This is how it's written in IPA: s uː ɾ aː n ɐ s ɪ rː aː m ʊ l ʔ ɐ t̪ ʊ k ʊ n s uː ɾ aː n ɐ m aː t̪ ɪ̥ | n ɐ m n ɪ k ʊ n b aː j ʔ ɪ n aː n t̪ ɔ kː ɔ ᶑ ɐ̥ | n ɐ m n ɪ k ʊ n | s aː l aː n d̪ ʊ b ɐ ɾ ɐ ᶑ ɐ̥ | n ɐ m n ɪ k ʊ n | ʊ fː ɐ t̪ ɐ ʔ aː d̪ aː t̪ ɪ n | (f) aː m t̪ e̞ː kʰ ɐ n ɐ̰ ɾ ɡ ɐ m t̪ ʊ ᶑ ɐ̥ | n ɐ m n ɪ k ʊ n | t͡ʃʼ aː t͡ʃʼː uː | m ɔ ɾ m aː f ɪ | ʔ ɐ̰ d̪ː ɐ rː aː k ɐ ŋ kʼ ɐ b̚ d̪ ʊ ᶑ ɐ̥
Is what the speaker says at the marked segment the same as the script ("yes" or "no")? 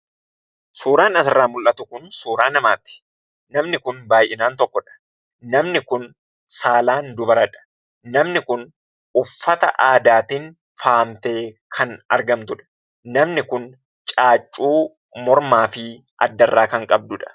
yes